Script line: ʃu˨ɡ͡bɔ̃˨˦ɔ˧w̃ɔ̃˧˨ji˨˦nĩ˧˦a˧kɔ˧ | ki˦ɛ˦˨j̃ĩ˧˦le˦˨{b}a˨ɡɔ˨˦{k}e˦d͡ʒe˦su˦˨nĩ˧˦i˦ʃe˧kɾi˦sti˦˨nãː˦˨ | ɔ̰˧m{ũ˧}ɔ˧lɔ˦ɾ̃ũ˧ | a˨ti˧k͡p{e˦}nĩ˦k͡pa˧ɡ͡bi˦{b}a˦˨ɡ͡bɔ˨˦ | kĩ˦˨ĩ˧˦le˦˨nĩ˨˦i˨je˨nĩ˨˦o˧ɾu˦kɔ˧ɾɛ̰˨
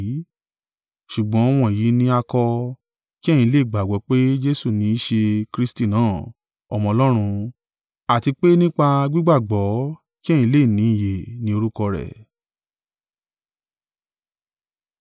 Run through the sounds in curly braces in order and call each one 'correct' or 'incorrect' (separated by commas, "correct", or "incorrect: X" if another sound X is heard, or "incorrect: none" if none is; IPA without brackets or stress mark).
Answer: incorrect: ɡ͡b, incorrect: k͡p, incorrect: ɔ̃˧, correct, incorrect: ɡ͡b